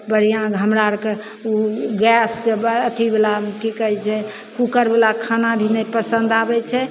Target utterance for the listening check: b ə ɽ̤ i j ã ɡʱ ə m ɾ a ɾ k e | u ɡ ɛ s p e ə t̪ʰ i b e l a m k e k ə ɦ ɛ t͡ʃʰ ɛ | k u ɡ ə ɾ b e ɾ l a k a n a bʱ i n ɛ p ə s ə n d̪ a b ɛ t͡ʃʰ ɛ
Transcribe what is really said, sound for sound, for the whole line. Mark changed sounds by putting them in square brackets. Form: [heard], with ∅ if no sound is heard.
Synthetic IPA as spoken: b ə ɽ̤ i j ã ɡʱ ə m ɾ a ɾ k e | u ɡ ɛ s [k] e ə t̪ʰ i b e l a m k [i] k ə ɦ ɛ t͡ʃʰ ɛ | k u [k] ə ɾ b e [∅] l a [kʰ] a n a bʱ i n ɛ p ə s ə n d̪ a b ɛ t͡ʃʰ ɛ

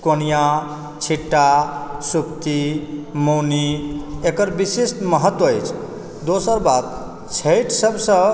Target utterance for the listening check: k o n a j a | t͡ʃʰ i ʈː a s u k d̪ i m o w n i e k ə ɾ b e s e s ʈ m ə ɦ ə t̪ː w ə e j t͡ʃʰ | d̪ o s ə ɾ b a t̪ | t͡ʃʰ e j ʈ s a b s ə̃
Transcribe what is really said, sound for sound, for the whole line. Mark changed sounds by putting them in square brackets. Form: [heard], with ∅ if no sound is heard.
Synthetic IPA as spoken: k o n [i] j a | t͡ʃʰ i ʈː a s u k [t̪] i m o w n i e k ə ɾ b [i] s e s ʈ m ə ɦ ə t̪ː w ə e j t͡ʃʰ | d̪ o s ə ɾ b a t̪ | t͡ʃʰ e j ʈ s [ə] b s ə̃

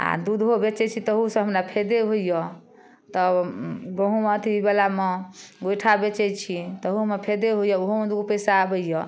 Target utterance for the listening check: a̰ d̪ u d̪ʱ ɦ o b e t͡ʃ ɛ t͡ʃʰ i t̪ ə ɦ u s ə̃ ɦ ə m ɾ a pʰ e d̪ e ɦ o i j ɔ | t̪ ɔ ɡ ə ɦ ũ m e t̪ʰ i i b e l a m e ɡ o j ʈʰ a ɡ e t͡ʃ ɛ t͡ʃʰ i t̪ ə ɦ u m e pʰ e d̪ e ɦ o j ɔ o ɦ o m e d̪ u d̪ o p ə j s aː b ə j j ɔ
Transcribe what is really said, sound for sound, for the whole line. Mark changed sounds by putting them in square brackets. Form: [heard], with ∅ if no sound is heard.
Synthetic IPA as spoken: a̰ d̪ u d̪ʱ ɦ o b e t͡ʃ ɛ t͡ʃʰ i t̪ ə ɦ u s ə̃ ɦ ə m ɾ a pʰ e d̪ e ɦ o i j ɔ | t̪ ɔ ɡ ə ɦ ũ m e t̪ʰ i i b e l a m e ɡ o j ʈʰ a [b] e t͡ʃ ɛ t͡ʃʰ i t̪ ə ɦ u m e pʰ e d̪ e ɦ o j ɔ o ɦ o m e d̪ u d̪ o p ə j s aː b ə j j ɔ

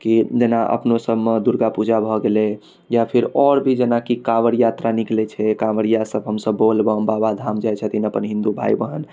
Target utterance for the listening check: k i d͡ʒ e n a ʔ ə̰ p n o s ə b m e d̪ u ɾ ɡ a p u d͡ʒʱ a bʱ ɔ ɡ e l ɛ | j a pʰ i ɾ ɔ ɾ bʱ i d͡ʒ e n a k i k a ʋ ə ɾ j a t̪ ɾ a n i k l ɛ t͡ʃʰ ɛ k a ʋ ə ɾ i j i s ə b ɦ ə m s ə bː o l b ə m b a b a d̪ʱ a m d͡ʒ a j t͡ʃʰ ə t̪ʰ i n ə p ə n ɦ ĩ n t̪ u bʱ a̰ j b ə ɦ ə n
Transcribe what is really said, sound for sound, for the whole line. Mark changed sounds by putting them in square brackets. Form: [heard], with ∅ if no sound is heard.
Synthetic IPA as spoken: k i d͡ʒ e n a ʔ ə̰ p n o s ə b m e d̪ u ɾ ɡ a p u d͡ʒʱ a bʱ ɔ ɡ e l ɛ | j a pʰ i ɾ ɔ ɾ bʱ i d͡ʒ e n a k i k a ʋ ə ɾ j a t̪ ɾ a n i k l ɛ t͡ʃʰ ɛ k a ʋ ə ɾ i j [a] s ə b ɦ ə m s ə bː o l b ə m b a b a d̪ʱ a m d͡ʒ a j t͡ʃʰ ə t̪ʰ i n ə p ə n ɦ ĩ n [d̪] u bʱ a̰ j b ə ɦ ə n

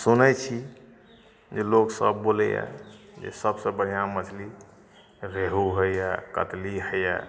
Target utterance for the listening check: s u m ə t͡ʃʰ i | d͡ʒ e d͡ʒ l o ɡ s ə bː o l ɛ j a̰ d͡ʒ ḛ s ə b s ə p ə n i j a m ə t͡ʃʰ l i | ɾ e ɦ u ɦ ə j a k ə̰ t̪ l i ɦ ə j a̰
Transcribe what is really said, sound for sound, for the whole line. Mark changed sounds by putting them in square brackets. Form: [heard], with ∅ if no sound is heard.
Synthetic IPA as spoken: s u [n] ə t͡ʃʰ i | d͡ʒ e [∅] l o [k] s ə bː o l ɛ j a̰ d͡ʒ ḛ s ə b s ə [b] ə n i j a m ə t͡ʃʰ l i | ɾ e ɦ u ɦ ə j a k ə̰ t̪ l i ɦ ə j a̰

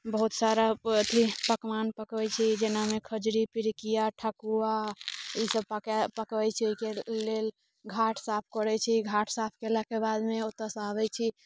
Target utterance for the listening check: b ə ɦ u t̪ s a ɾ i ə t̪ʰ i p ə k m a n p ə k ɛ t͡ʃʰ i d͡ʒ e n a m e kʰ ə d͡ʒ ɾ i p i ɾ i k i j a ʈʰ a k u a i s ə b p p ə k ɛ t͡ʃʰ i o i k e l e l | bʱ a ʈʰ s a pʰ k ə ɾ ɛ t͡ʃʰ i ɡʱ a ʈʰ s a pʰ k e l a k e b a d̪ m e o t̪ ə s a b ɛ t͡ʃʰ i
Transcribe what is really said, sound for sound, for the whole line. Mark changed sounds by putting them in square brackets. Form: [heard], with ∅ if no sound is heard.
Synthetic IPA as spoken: b ə ɦ u t̪ s a ɾ [a] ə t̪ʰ i p ə k m a n p ə k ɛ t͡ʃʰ i d͡ʒ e n a m e kʰ ə d͡ʒ ɾ i p i ɾ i k i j a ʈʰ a k u a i s ə b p p ə k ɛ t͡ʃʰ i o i k e l e l | [ɡʱ] a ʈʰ s a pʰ k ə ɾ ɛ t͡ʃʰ i ɡʱ a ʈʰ s a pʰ k e l a k e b a d̪ m e o t̪ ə s a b ɛ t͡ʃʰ i

